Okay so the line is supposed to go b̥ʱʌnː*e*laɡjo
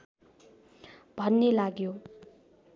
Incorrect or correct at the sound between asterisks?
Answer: correct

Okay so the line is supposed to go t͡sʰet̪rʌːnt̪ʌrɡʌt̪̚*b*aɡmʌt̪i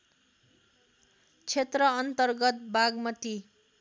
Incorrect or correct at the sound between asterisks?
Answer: correct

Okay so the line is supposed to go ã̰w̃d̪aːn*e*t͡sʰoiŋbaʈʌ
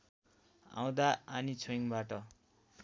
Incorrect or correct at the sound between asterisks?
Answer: incorrect: i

